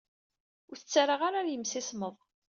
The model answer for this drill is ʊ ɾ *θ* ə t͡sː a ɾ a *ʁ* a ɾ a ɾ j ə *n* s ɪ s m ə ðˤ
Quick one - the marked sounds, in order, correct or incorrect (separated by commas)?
correct, correct, incorrect